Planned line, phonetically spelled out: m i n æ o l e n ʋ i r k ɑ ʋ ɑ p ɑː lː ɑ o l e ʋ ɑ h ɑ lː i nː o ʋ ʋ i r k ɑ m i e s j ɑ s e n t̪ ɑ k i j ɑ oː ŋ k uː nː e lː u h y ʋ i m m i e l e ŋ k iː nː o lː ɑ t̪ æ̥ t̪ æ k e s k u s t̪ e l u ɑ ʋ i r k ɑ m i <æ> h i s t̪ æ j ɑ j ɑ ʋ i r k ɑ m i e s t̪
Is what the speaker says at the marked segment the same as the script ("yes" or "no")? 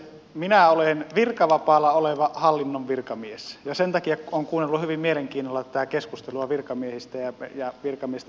no